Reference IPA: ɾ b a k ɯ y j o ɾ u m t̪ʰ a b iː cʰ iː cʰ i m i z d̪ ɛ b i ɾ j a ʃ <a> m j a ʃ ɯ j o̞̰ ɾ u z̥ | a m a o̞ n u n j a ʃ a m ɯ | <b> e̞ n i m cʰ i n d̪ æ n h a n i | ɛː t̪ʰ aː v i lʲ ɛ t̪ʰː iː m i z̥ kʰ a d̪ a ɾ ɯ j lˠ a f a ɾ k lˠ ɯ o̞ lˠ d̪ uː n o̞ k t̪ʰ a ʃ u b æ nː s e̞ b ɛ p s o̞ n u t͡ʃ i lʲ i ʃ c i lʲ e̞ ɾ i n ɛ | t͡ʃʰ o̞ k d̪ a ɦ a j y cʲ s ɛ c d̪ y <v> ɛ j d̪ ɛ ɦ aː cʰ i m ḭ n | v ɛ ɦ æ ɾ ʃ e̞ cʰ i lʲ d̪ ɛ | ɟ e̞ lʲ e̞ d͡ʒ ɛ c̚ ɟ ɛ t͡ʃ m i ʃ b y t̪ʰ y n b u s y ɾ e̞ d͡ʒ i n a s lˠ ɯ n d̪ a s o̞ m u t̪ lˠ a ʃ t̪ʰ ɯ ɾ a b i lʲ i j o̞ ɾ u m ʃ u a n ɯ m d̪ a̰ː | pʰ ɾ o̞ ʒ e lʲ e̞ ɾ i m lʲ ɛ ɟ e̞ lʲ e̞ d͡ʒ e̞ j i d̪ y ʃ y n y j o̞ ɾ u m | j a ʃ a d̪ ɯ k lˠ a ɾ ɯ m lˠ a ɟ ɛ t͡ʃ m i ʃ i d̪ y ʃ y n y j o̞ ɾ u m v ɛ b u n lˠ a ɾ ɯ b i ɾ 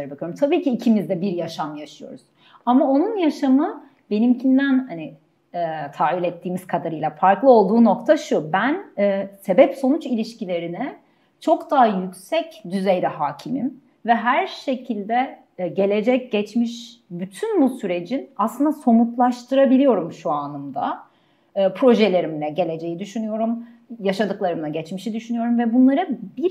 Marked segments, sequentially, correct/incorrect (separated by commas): correct, correct, incorrect